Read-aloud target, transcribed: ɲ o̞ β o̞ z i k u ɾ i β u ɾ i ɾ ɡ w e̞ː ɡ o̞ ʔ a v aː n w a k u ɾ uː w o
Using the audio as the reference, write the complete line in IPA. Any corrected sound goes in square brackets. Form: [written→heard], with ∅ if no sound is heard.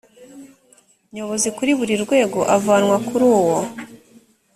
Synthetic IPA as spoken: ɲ o̞ β o̞ z i k u ɾ i β u ɾ i ɾ ɡ w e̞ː ɡ o̞ ʔ a v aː n w a k u ɾ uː w o